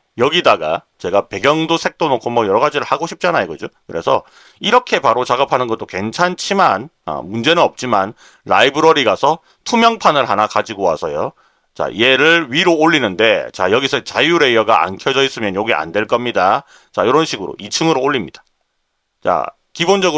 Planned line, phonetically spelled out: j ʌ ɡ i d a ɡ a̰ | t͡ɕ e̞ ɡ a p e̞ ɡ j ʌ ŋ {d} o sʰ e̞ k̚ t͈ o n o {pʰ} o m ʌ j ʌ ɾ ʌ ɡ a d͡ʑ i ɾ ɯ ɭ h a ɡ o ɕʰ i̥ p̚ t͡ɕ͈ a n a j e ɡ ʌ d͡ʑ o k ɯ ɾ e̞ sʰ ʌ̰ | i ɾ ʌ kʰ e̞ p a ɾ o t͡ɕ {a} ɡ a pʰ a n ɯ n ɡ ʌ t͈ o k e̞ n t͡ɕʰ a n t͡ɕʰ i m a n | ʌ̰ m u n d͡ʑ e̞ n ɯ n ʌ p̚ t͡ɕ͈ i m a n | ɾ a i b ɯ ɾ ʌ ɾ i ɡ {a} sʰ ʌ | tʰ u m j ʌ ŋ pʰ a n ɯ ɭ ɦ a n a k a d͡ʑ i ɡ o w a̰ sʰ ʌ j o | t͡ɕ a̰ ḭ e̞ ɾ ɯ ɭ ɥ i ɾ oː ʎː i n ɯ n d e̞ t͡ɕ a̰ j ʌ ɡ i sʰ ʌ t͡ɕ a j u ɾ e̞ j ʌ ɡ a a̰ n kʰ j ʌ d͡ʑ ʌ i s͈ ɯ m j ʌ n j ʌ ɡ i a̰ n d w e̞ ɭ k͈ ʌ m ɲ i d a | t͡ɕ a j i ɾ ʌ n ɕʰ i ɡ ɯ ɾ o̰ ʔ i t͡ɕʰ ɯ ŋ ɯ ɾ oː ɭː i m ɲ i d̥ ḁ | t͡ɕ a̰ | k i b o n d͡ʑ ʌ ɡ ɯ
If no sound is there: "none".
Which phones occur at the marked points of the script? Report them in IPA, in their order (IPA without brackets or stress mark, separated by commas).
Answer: d, kʰ, a, a